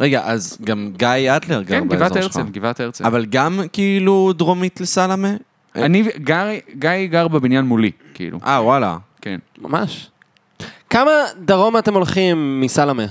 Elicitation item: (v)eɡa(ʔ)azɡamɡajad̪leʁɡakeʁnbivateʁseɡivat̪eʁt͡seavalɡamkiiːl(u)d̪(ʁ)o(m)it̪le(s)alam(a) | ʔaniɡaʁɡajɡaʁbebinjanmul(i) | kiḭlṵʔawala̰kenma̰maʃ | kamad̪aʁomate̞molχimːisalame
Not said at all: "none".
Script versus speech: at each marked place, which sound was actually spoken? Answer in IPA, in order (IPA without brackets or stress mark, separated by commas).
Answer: ʁ, ʔ, u, ʁ, m, s, e, i